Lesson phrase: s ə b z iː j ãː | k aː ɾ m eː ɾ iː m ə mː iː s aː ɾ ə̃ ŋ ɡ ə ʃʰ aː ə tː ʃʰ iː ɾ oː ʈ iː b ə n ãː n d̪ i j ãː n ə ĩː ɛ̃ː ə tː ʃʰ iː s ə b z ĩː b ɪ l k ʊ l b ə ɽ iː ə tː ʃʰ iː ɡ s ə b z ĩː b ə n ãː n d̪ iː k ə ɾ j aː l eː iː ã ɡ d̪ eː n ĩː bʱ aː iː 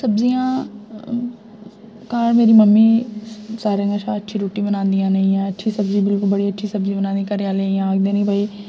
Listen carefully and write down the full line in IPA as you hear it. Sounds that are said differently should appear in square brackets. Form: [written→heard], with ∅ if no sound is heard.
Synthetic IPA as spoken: s ə b z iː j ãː | k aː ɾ m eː ɾ iː m ə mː iː s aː ɾ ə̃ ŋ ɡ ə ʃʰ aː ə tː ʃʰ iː ɾ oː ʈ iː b ə n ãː n d̪ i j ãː n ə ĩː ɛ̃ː ə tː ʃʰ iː s ə b z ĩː b ɪ l k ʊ l b ə ɽ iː ə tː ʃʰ iː [ɡ→∅] s ə b z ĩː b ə n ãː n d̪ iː k ə ɾ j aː l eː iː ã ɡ d̪ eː n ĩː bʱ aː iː